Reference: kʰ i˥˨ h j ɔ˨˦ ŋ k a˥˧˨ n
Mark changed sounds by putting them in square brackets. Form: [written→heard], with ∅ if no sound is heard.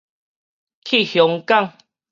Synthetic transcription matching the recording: kʰ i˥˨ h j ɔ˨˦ ŋ k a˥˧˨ [n→ŋ]